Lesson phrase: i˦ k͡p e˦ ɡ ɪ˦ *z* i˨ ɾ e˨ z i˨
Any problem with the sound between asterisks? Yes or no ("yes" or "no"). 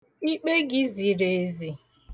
no